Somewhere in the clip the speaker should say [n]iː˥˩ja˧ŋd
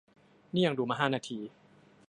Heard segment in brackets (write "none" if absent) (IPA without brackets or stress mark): n